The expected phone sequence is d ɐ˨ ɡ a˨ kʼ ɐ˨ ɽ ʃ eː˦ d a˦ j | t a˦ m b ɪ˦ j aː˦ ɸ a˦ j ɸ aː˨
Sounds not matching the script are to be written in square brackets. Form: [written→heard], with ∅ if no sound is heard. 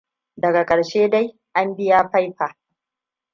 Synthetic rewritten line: d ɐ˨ ɡ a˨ kʼ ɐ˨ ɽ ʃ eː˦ d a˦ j | [t→ʔ] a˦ m b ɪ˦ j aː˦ ɸ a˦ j ɸ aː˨